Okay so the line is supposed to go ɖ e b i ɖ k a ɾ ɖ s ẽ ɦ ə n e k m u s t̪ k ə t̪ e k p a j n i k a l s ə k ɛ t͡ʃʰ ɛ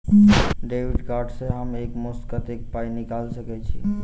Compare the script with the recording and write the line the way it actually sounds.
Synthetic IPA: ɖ e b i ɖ k a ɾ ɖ s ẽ ɦ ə m e k m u s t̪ k ə t̪ e k p a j n i k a l s ə k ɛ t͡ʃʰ i

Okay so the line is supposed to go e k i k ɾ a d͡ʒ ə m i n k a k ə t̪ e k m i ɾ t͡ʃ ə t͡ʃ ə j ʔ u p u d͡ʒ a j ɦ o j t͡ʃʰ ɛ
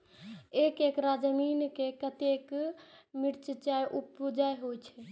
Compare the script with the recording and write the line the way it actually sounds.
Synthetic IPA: e k e k ɾ a d͡ʒ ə m i n k e k ə t̪ e k m i ɾ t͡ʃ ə t͡ʃ a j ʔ u p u d͡ʒ a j ɦ o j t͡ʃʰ ɛ

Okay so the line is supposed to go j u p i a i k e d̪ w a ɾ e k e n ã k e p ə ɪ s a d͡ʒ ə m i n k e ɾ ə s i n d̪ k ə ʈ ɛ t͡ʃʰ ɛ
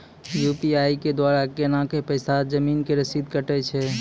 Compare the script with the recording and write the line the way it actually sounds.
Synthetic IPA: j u p i a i k e d̪ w a ɾ a k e n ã k e p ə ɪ s a d͡ʒ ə m i n k e ɾ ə s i d̪ k ə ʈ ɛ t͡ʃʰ ɛ

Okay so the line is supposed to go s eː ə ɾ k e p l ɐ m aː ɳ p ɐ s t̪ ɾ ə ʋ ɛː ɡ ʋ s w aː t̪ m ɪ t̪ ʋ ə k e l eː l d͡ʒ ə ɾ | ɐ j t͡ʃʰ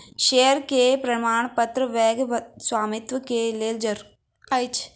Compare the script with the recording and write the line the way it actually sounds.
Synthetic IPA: ʃ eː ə ɾ k e p ɾ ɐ m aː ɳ p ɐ t̪ ɾ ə ʋ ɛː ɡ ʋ s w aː m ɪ t̪ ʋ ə k e l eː l d͡ʒ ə ɾ | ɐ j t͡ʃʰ

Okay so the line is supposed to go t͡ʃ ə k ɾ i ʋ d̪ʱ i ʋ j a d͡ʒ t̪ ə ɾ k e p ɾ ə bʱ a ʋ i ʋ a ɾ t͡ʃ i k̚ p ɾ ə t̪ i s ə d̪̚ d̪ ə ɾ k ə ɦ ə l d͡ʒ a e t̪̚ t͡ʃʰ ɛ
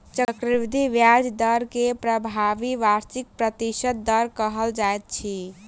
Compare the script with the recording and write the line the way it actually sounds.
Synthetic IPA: t͡ʃ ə k ɾ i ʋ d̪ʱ i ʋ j a d͡ʒ d̪ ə ɾ k e p ɾ ə bʱ a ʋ i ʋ a ɾ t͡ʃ i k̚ p ɾ ə t̪ i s ə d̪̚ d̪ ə ɾ k ə ɦ ə l d͡ʒ a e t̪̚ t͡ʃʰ i

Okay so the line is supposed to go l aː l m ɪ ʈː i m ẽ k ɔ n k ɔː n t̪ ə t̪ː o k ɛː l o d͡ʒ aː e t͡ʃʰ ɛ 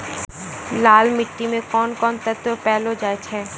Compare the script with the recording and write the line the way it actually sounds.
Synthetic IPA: l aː l m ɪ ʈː i m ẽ k ɔ n k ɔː n t̪ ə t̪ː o p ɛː l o d͡ʒ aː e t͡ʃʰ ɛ

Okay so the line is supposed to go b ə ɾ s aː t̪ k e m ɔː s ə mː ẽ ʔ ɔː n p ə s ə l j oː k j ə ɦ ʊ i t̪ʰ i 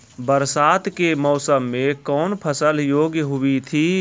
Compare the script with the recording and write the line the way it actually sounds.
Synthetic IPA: b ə ɾ s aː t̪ k e m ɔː s ə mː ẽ k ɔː n pʰ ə s ə l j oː ɡ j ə ɦ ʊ i t̪ʰ i

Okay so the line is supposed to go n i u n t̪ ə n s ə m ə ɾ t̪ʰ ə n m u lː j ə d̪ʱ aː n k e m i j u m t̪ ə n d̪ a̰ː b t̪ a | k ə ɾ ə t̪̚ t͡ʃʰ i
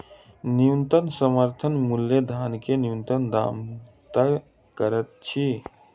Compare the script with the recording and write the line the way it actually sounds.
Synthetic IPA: n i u n t̪ ə n s ə m ə ɾ t̪ʰ ə n m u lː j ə d̪ʱ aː n k e n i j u n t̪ ə n d̪ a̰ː m t̪ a | k ə ɾ ə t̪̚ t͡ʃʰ i

